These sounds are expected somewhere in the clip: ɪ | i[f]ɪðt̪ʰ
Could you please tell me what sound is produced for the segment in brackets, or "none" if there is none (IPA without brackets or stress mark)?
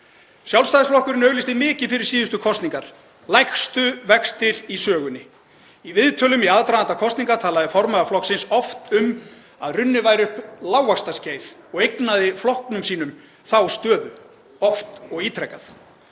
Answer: v